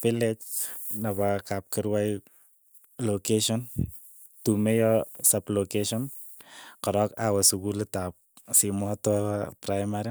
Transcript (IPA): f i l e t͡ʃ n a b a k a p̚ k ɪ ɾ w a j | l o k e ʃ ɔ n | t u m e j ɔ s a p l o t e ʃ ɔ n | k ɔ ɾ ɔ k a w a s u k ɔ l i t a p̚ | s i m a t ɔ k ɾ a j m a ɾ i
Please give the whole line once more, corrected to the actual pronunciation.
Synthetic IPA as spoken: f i l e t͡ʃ n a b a k a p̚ k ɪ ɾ w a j | l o k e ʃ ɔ n | t u m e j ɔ s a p l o k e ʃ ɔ n | k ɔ ɾ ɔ k a w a s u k u l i t a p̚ | s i m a t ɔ p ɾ a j m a ɾ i